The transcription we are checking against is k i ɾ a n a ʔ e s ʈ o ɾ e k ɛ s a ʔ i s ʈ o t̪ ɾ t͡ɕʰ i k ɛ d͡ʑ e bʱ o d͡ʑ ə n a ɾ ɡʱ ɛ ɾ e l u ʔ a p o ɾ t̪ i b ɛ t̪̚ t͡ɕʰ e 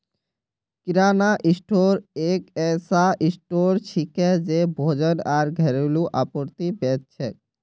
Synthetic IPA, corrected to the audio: k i ɾ a n a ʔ i s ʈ o ɾ e k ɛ s a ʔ i s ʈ o ɾ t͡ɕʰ i k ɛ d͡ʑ e bʱ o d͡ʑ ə n a ɾ ɡʱ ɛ ɾ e l u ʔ a p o ɾ t̪ i b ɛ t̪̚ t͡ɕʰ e